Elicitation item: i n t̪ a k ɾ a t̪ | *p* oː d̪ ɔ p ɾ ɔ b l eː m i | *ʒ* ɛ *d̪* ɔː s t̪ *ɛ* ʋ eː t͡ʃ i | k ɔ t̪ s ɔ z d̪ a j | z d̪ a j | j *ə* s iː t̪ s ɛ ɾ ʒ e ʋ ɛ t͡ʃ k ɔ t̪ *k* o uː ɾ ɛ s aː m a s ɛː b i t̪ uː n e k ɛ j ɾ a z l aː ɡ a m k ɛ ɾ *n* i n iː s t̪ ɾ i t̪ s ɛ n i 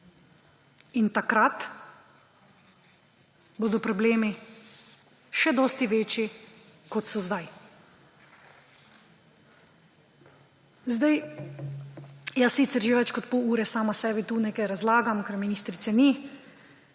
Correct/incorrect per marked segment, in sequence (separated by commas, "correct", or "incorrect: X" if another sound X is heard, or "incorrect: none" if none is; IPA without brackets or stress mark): incorrect: b, incorrect: ʃ, correct, incorrect: i, incorrect: a, incorrect: p, incorrect: m